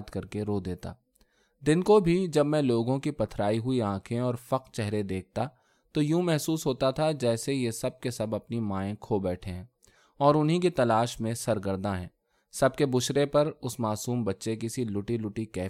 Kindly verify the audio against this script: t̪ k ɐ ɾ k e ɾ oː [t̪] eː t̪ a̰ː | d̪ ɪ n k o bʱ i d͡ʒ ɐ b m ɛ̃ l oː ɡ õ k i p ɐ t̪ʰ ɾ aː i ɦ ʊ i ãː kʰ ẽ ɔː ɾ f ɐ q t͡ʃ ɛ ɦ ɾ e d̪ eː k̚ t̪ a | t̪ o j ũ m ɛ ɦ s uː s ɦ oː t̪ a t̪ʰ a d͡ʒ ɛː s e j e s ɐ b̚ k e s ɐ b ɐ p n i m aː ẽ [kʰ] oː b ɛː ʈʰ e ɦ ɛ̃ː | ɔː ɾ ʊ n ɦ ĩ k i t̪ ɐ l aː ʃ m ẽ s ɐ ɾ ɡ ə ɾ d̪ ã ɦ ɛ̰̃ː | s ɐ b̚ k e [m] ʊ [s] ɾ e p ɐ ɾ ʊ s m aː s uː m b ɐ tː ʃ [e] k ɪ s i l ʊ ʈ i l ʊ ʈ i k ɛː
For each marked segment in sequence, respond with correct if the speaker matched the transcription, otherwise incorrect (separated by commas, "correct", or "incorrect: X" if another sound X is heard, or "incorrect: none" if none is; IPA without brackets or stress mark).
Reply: incorrect: d̪, correct, incorrect: b, incorrect: ʃ, correct